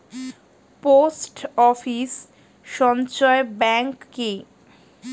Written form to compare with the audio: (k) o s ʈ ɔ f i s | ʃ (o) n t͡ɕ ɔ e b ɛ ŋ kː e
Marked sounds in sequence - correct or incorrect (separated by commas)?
incorrect, incorrect